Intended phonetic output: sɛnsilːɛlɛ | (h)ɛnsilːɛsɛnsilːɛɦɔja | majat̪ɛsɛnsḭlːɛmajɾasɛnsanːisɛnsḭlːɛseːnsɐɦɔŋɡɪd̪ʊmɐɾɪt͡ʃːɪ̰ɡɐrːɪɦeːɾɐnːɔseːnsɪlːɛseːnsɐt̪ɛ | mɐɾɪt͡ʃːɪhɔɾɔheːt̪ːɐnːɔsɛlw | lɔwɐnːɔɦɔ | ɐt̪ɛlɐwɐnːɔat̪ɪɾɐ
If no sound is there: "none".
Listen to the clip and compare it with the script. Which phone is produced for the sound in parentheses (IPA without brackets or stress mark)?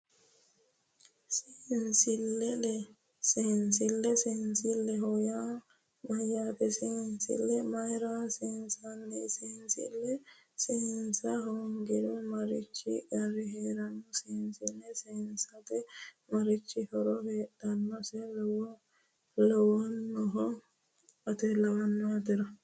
s